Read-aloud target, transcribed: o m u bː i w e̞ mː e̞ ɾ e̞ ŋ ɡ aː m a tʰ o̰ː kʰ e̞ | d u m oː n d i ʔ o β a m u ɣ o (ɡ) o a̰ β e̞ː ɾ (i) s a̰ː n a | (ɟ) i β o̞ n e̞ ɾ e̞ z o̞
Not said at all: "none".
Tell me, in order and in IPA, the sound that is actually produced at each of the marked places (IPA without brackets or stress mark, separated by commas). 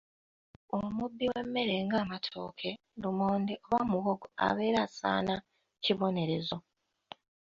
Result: ɡ, a, c